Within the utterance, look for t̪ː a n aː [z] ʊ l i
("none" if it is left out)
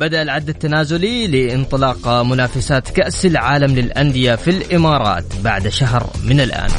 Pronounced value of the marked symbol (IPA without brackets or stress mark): z